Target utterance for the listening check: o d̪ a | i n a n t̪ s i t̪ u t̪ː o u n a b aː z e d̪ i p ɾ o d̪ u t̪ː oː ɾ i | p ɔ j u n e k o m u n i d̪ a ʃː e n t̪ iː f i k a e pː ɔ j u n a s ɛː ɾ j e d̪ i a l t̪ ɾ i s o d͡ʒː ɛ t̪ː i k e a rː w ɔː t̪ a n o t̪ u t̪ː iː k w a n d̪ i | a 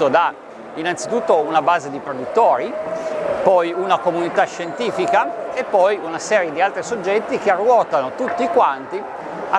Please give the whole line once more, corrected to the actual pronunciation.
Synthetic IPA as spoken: o d̪ a | i n a n t̪ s i t̪ u t̪ː o u n a b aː z e d̪ i p ɾ o d̪ u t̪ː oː ɾ i | p ɔ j u n a k o m u n i t̪ a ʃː e n t̪ iː f i k a e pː ɔ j u n a s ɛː ɾ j e d̪ i a l t̪ ɾ i s o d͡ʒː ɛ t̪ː i k e a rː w ɔː t̪ a n o t̪ u t̪ː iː k w a n t̪ i | a